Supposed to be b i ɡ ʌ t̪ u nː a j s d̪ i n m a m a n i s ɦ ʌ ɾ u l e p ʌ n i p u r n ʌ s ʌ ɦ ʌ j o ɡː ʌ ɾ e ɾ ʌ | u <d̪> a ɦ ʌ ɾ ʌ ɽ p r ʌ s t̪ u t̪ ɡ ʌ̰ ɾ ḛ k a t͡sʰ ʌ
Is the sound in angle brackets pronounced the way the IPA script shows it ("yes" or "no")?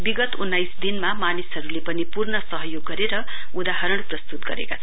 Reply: yes